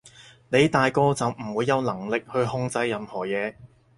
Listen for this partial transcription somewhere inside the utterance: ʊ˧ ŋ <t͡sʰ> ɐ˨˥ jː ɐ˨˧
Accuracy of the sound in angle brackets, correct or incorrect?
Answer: incorrect